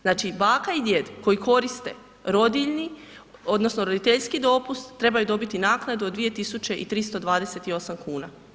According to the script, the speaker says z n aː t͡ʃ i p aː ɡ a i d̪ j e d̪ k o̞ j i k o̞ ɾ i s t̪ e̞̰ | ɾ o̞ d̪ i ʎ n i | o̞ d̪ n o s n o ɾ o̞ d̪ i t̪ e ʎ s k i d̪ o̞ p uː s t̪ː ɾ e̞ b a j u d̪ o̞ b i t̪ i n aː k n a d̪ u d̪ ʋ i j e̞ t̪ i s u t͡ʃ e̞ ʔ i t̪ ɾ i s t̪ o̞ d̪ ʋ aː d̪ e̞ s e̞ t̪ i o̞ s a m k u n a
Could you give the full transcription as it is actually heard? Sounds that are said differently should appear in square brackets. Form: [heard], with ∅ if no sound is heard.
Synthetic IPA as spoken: z n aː t͡ʃ i [b] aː [k] a i d̪ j e d̪ k o̞ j i k o̞ ɾ i s t̪ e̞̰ | ɾ o̞ d̪ i ʎ n i | o̞ d̪ n o s n o ɾ o̞ d̪ i t̪ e ʎ s k i d̪ o̞ p [u] s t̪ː ɾ e̞ b a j u d̪ o̞ b i t̪ i n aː k n a d̪ u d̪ ʋ i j e̞ t̪ i s u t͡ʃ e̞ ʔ i t̪ ɾ i s t̪ o̞ d̪ ʋ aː d̪ e̞ s e̞ t̪ i o̞ s a m k [uː] n a

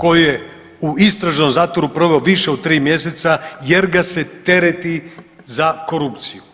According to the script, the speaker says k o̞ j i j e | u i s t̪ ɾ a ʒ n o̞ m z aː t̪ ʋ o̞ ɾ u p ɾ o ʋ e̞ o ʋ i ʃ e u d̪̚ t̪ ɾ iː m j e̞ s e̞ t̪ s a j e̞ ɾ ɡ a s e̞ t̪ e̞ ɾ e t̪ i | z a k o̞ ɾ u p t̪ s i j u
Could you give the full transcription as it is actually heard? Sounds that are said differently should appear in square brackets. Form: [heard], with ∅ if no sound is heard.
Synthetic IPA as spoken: k o̞ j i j e | u i s t̪ ɾ a ʒ n o̞ m z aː t̪ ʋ o̞ ɾ u p ɾ o ʋ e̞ o ʋ i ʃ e [o] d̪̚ t̪ ɾ iː m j e̞ s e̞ t̪ s a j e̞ ɾ ɡ a s e̞ t̪ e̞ ɾ e t̪ i | z a k o̞ ɾ u p t̪ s i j u

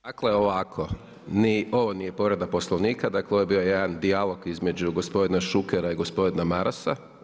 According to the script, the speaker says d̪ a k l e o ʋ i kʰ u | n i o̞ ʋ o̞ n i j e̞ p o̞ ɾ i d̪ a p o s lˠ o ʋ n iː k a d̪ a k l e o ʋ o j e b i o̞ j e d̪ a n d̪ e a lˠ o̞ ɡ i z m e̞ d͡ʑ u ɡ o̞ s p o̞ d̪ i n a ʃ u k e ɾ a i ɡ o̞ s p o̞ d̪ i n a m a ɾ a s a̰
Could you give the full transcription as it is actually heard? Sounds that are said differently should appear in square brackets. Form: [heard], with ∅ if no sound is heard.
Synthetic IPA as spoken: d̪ a k l e o ʋ [a] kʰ [o] | n i o̞ ʋ o̞ n i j e̞ p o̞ ɾ [e] d̪ a p o s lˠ o ʋ n iː k a d̪ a k l e o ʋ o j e b i o̞ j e d̪ a n d̪ [i] a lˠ o̞ ɡ i z m e̞ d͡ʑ u ɡ o̞ s p o̞ d̪ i n a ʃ u k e ɾ a i ɡ o̞ s p o̞ d̪ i n a m a ɾ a s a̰

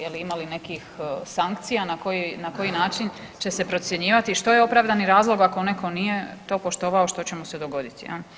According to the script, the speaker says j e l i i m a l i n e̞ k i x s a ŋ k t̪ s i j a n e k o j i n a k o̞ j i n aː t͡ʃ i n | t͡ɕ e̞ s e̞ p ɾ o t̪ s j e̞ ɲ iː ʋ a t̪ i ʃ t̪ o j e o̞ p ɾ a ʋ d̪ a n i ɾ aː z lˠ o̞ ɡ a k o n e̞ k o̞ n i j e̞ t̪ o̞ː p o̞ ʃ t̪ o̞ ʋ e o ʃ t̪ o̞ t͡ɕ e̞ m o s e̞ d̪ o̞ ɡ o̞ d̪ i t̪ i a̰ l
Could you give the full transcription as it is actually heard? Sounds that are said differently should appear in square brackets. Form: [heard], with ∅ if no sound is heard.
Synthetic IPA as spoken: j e l i i m a l i n e̞ k i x s a ŋ k t̪ s i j a n [a] k o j i n a k o̞ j i n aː t͡ʃ i n | t͡ɕ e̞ s e̞ p ɾ o t̪ s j e̞ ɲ iː ʋ a t̪ i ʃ t̪ o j e o̞ p ɾ a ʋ d̪ a n i ɾ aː z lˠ o̞ ɡ a k o n e̞ k o̞ n i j e̞ t̪ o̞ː p o̞ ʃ t̪ o̞ ʋ [a] o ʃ t̪ o̞ t͡ɕ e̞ m o s e̞ d̪ o̞ ɡ o̞ d̪ i t̪ i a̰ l

